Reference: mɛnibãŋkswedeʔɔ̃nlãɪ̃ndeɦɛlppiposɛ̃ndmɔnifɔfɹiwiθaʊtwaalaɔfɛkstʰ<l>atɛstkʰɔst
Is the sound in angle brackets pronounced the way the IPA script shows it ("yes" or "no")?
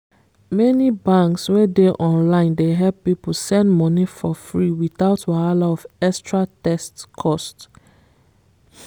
no